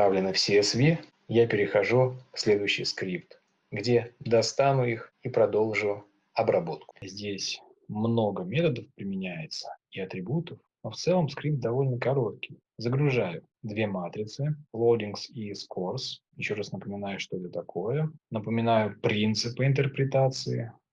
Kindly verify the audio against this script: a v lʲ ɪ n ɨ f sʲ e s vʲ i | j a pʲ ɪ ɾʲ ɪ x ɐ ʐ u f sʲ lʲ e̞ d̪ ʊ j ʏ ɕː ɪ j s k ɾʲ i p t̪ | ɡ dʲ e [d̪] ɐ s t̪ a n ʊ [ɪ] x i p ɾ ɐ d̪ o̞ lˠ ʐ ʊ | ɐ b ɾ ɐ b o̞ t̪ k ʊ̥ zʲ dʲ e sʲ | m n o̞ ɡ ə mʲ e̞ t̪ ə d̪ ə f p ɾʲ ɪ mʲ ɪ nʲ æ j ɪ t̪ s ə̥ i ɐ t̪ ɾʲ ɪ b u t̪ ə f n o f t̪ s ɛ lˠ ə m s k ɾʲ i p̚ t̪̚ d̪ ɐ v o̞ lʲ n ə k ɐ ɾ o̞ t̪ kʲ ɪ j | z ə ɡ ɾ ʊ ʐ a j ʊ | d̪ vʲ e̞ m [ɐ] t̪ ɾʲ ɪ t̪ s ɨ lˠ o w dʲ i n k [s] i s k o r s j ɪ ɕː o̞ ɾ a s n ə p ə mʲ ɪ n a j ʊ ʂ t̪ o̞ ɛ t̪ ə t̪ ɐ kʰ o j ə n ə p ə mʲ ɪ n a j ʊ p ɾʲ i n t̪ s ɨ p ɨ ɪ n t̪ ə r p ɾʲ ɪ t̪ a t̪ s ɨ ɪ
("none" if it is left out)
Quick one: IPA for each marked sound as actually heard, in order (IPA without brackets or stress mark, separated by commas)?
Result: d̪, i, a, s